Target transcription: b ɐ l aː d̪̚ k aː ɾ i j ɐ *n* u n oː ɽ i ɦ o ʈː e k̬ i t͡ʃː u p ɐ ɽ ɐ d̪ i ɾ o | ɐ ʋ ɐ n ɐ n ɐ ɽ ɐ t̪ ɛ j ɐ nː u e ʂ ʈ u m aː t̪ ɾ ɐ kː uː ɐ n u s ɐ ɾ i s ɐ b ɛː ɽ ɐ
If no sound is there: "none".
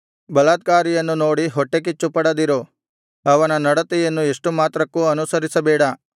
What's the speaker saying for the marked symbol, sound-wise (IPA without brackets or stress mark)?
nː